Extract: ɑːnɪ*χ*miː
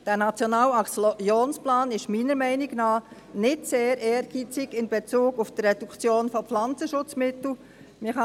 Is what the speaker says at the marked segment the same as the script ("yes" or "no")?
no